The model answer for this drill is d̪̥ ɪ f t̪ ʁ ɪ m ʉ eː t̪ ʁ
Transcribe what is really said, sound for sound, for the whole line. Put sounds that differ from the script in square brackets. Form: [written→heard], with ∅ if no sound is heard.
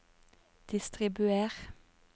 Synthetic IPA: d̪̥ ɪ [f→s] t̪ ʁ ɪ [m→b] ʉ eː [t̪→∅] ʁ